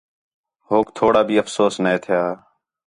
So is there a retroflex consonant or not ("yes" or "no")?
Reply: yes